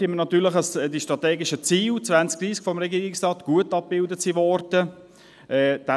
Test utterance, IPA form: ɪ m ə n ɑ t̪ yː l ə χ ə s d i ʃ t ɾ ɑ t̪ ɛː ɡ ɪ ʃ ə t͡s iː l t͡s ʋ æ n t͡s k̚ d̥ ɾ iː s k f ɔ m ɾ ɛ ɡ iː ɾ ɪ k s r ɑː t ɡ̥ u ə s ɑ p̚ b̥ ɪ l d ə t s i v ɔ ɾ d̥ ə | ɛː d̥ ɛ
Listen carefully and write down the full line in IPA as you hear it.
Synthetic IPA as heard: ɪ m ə n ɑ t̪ yː l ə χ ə s d i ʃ t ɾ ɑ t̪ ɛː ɡ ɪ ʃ ə t͡s iː l t͡s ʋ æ n t͡s k̚ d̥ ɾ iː s k f ɔ m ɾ ɛ ɡ iː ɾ ɪ k s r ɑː t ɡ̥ u ə t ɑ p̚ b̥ ɪ l d ə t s i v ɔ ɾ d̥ ə | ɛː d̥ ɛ